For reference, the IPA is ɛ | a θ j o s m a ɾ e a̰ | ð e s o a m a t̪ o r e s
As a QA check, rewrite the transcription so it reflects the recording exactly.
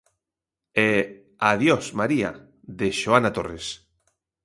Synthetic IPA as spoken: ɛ | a ð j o s m a ɾ i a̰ | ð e ʃ o a n a t̪ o r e s